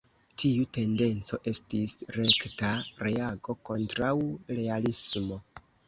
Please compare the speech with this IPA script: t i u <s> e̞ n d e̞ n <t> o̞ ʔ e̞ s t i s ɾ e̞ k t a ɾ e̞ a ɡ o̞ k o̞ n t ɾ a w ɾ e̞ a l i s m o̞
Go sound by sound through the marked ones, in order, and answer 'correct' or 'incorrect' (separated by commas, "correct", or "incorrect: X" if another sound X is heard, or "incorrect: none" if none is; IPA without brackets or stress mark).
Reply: incorrect: t, incorrect: t͡s